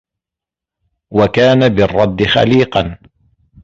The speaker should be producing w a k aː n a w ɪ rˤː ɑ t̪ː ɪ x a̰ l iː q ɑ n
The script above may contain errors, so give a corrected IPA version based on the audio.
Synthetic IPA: w a k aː n a b ɪ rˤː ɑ d̪ː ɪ x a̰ l iː q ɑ n